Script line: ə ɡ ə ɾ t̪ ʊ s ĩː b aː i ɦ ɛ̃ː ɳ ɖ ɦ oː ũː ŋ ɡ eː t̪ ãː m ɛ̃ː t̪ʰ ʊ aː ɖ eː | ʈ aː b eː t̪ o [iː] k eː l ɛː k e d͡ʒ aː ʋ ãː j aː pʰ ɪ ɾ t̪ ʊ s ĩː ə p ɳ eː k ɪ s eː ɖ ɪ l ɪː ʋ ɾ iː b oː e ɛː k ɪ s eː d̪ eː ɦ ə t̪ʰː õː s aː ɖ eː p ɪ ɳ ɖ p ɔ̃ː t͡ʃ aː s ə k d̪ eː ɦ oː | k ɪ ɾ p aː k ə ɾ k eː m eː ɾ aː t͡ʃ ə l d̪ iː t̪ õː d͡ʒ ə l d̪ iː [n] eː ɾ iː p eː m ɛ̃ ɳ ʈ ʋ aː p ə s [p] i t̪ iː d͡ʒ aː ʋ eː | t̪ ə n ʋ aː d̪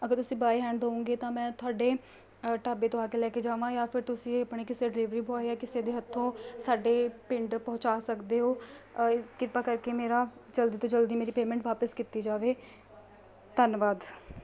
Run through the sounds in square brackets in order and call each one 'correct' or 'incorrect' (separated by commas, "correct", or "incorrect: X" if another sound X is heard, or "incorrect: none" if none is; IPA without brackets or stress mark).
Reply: incorrect: aː, incorrect: m, incorrect: k